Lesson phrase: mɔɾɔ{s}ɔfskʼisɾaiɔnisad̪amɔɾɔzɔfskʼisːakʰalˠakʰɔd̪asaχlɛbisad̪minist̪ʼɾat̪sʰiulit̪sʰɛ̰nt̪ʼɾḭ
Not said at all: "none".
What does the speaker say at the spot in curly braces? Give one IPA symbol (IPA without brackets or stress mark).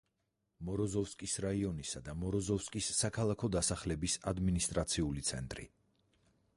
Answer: z